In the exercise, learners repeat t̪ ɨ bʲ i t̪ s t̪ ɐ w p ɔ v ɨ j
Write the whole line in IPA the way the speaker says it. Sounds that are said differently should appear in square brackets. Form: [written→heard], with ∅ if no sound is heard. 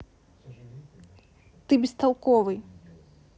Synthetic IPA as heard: t̪ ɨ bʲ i [t̪→∅] s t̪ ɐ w [p→k] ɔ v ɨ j